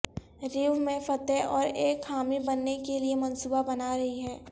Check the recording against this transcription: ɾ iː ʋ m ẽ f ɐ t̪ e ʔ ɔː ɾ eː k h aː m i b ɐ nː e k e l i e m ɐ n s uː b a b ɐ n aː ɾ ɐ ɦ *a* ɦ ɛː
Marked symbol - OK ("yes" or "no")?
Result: no